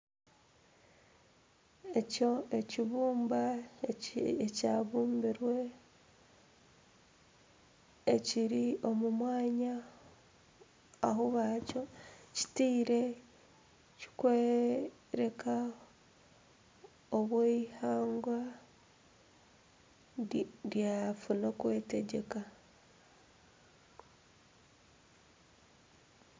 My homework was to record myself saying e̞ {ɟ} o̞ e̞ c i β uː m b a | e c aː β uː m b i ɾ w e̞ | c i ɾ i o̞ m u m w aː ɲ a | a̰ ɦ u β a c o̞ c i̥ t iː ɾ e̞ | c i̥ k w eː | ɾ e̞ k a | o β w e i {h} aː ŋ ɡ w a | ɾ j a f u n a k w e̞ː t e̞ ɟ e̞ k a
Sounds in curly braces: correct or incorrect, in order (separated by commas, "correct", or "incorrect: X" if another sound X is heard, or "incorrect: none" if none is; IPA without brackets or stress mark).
incorrect: c, correct